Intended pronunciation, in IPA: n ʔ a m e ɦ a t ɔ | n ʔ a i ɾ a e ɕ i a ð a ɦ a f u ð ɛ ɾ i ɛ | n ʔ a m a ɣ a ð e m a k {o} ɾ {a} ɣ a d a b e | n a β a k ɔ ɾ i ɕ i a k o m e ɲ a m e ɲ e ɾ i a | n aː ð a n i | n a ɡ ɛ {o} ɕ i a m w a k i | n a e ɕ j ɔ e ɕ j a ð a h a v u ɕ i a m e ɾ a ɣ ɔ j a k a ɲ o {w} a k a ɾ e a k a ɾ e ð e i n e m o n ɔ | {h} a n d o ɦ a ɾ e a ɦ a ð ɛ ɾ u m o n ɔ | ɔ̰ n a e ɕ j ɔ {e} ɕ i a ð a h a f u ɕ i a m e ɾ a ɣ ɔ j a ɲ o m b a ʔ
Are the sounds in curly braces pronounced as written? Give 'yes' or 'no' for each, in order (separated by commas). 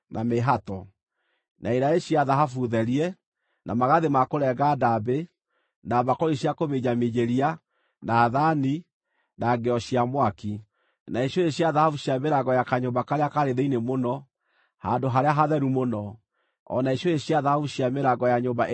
yes, no, no, no, yes, yes